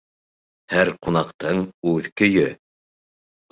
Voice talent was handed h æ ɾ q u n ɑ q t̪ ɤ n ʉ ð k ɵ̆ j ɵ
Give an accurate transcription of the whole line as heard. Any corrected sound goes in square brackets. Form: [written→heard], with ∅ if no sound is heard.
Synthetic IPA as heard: h æ ɾ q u n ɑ q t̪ ɤ [n→ɴ] ʉ ð k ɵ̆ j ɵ